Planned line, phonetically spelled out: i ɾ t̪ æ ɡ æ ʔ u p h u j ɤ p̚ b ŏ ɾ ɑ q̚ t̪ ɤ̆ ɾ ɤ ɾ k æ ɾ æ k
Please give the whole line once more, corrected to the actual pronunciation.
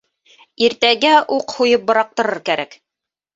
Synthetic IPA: i ɾ t̪ æ ɡ æ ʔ u q h u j ɤ p̚ b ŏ ɾ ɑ q̚ t̪ ɤ̆ ɾ ɤ ɾ k æ ɾ æ k